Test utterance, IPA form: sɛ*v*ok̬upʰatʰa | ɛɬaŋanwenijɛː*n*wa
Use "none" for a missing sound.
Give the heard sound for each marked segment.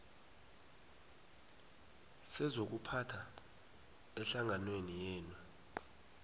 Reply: z, n

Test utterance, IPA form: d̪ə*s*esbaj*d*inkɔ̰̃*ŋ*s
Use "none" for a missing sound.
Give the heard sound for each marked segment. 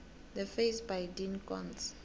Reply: f, d, n

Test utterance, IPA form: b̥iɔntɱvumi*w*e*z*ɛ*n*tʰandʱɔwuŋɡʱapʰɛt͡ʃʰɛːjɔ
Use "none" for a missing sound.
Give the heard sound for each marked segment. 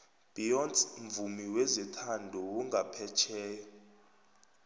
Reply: w, z, none

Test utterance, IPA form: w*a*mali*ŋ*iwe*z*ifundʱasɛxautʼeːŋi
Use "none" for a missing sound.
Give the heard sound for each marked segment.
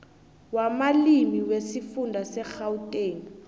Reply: a, m, s

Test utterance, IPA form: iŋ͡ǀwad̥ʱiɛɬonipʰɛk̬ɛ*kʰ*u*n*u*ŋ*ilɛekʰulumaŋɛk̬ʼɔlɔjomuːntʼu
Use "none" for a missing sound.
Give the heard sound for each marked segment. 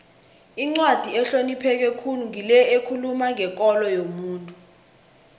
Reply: kʰ, n, ŋ

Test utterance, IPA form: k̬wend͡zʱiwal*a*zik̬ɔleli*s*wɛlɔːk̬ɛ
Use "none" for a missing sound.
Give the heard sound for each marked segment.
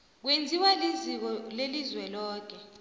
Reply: i, z

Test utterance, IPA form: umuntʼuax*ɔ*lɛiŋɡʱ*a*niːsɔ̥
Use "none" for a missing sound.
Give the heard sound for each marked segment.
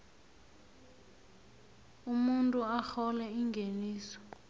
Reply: ɔ, e

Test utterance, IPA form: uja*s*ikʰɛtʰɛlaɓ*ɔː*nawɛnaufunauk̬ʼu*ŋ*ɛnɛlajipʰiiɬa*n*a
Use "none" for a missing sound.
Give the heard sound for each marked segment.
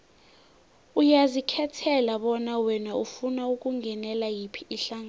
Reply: z, ɔ, ŋ, ŋ

